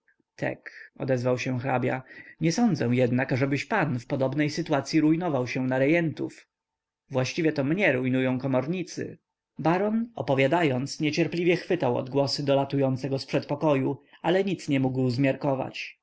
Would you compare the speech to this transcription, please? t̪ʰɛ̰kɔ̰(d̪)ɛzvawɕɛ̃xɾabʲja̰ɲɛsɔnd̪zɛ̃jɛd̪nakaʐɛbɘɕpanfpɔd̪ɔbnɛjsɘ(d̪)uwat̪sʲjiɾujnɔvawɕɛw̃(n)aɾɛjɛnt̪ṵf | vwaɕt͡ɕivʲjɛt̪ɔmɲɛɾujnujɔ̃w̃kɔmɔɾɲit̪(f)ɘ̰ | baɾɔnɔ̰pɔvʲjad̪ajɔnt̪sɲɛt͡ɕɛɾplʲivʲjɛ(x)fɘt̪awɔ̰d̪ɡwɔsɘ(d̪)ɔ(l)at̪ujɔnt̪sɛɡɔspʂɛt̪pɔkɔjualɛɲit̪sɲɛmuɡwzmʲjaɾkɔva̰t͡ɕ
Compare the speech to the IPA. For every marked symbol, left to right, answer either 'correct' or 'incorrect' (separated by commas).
correct, incorrect, correct, incorrect, correct, correct, correct